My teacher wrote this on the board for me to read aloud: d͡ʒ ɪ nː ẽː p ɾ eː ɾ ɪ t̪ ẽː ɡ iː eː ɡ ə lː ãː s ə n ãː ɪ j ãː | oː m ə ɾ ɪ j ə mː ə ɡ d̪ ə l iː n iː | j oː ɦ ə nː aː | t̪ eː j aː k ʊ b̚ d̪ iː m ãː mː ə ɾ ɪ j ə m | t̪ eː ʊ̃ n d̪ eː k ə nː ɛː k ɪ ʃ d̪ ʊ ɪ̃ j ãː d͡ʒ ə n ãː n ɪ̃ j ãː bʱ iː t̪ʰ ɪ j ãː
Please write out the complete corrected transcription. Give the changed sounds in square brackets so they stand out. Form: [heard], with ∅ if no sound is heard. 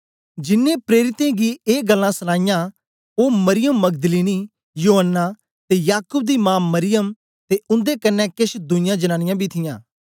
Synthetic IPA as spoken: d͡ʒ ɪ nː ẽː p ɾ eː ɾ ɪ t̪ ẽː ɡ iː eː ɡ ə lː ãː s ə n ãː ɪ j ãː | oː m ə ɾ ɪ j ə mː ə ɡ d̪ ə l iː n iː | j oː ɦ ə nː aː | t̪ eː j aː k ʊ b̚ d̪ iː m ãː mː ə ɾ ɪ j ə m | t̪ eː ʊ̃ n d̪ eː k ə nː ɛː k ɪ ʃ d̪ ʊ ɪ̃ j ãː d͡ʒ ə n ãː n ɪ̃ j ãː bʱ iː t̪ʰ ɪ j ãː